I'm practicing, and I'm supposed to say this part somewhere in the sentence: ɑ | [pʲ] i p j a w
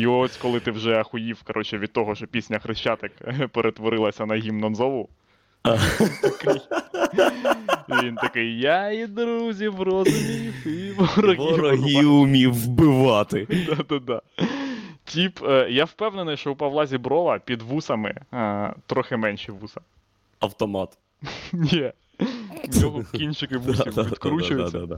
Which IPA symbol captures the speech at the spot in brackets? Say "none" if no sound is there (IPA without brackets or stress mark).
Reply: tʲ